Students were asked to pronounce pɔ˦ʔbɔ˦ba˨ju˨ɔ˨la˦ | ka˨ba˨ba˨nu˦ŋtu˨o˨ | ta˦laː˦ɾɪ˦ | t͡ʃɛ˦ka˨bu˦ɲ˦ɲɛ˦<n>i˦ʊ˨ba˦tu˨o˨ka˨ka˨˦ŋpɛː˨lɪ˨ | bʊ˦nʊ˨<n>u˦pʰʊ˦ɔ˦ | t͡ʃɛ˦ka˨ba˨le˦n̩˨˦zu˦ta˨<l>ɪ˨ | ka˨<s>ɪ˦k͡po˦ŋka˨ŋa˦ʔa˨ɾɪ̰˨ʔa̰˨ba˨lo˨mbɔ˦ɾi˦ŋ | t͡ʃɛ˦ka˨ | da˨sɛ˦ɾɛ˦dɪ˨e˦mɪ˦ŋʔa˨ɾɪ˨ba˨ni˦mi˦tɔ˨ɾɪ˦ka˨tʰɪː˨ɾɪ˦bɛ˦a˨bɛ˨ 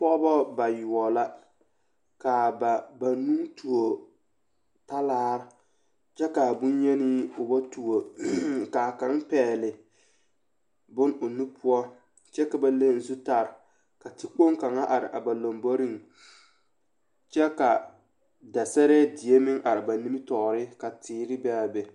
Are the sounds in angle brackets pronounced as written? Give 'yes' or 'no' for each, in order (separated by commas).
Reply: yes, yes, no, no